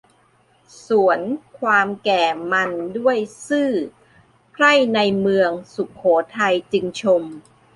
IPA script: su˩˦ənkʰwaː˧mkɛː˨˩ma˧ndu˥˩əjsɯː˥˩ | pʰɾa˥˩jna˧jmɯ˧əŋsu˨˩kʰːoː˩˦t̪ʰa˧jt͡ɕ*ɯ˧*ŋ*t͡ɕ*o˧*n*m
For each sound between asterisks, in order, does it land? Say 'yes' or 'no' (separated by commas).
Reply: yes, no, no